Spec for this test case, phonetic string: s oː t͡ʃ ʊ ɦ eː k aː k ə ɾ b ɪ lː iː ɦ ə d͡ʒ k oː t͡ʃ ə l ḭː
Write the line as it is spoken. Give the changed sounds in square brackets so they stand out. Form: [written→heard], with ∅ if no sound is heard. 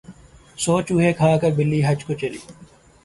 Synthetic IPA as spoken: s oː t͡ʃ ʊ ɦ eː [k→kʰ] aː k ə ɾ b ɪ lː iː ɦ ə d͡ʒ k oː t͡ʃ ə l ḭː